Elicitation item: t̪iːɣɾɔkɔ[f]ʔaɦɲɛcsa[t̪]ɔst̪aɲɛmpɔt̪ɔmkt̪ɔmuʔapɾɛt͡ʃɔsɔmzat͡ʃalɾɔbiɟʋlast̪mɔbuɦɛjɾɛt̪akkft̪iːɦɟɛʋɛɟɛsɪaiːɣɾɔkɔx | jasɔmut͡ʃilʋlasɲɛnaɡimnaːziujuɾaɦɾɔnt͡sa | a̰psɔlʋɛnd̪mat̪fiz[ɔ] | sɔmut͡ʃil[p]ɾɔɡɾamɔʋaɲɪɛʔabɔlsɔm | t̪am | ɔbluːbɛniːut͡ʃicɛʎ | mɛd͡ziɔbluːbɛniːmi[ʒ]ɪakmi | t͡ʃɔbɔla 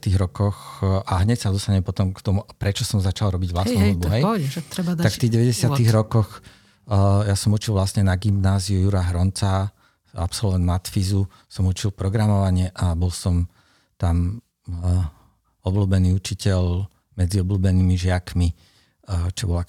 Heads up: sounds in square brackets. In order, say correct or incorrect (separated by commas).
incorrect, incorrect, incorrect, correct, correct